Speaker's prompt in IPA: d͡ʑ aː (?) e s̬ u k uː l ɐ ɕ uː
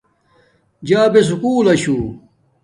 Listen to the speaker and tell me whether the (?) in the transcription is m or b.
b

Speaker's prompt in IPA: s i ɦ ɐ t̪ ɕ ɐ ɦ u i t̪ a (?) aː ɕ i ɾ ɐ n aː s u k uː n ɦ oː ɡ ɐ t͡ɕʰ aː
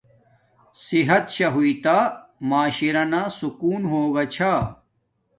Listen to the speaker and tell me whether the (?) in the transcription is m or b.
m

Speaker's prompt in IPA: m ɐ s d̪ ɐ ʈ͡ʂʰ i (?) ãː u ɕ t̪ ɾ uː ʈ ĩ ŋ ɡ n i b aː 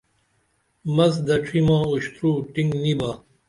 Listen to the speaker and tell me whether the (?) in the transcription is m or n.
m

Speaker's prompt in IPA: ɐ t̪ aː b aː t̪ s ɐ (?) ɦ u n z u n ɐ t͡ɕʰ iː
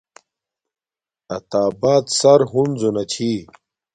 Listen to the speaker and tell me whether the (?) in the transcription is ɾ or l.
ɾ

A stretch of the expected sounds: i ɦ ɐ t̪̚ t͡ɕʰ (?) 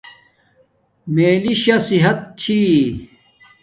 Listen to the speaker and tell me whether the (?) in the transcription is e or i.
i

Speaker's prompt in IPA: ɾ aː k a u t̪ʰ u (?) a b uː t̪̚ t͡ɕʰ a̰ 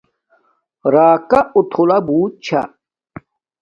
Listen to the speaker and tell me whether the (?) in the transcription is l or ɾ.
l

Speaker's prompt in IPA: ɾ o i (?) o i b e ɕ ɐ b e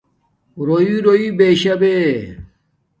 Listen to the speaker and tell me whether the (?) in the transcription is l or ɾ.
ɾ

